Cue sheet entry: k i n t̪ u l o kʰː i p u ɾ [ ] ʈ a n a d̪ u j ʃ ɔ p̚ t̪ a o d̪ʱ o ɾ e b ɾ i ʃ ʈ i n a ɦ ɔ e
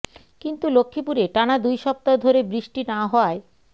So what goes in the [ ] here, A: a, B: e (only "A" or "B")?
B